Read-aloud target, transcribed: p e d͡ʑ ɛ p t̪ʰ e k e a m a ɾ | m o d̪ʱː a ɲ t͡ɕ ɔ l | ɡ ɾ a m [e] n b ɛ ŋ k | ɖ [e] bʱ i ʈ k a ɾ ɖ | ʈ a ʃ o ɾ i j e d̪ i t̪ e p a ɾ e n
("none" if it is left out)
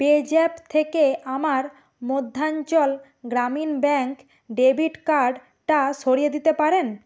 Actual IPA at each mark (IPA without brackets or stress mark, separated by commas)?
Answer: i, e